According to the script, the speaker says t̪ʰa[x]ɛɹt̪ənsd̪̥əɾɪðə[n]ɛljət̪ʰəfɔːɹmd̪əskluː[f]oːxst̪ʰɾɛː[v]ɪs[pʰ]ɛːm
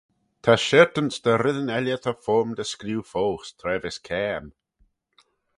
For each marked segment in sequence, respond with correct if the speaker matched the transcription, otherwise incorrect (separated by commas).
incorrect, correct, correct, correct, incorrect